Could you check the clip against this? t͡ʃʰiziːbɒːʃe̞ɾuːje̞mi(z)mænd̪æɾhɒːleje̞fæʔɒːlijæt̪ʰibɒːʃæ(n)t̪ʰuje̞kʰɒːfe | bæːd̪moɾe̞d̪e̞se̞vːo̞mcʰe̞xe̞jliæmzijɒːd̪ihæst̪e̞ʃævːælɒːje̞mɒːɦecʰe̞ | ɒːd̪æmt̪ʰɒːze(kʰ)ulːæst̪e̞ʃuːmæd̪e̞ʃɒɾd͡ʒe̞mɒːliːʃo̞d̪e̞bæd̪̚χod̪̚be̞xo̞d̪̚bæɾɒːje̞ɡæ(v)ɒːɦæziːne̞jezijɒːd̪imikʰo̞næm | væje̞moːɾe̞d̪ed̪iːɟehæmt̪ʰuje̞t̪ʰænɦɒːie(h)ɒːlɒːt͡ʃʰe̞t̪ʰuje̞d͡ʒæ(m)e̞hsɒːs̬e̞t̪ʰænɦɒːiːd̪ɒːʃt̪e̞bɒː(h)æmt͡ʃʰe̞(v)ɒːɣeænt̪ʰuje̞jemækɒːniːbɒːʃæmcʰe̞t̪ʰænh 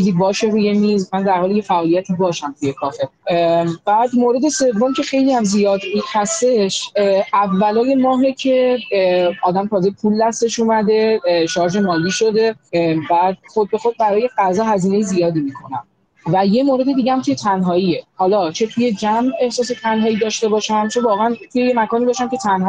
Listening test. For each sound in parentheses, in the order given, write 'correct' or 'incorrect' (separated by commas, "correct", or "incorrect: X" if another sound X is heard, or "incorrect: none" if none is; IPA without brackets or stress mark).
correct, incorrect: m, incorrect: pʰ, incorrect: z, correct, correct, incorrect: ʃ, correct